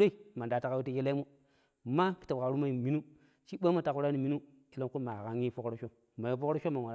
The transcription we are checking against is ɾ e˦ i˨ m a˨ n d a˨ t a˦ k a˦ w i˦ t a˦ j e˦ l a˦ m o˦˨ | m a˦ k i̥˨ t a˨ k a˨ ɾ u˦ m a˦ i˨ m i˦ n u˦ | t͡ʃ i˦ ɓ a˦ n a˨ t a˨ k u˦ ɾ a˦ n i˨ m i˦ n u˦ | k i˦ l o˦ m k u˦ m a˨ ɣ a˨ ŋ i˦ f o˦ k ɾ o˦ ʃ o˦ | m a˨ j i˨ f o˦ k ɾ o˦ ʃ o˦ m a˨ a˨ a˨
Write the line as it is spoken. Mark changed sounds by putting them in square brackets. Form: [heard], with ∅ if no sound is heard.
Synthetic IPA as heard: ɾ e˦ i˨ m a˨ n d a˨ t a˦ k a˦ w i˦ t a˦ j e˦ l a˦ m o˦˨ | m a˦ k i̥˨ t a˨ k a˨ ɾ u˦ m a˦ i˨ m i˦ n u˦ | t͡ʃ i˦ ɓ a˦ [m] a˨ t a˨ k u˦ ɾ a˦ n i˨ m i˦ n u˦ | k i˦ l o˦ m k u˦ m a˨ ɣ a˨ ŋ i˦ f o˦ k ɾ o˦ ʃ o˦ | m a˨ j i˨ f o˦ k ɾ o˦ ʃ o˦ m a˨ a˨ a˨